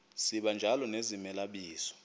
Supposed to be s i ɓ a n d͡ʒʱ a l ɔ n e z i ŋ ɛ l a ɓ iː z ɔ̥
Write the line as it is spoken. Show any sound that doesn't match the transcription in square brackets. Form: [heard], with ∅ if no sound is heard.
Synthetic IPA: s i ɓ a n d͡ʒʱ a l ɔ n e z i [m] ɛ l a ɓ iː [s] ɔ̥